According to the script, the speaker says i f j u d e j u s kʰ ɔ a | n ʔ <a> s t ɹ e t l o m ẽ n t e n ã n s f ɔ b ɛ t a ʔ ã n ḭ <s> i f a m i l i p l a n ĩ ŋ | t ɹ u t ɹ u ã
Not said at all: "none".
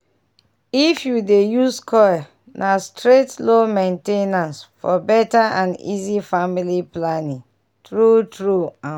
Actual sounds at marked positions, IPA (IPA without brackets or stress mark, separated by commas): a, z